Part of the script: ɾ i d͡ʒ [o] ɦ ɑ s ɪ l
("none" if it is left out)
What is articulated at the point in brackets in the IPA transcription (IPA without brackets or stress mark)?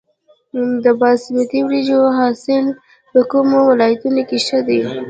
o